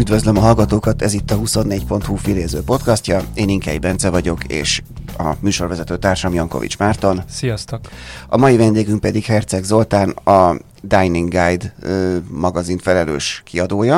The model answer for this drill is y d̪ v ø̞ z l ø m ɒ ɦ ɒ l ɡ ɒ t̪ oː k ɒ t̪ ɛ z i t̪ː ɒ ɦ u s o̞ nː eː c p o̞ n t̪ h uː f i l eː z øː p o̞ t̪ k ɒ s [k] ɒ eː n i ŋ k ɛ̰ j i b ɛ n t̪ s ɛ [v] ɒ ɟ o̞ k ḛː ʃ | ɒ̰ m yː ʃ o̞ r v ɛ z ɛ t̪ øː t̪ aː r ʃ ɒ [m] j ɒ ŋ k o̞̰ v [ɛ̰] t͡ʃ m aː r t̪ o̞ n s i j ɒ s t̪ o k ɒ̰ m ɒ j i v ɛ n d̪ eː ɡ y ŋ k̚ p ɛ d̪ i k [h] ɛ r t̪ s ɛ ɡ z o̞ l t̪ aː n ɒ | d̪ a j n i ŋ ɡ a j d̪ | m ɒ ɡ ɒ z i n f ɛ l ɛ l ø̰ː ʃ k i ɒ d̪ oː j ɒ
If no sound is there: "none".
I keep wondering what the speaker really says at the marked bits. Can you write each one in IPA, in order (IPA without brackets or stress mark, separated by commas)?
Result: c, v, m, ḭ, h